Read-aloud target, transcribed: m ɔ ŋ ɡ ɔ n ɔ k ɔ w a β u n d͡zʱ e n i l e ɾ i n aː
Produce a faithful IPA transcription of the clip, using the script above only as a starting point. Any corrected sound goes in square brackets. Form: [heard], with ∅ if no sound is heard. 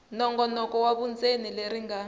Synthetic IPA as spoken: [n] ɔ ŋ ɡ ɔ n ɔ k ɔ w a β u n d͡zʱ e n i l e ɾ i [ŋ] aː